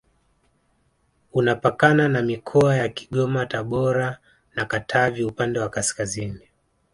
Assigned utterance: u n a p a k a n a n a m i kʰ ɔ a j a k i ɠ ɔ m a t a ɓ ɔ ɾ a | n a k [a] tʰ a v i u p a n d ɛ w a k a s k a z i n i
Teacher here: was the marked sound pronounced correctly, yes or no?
yes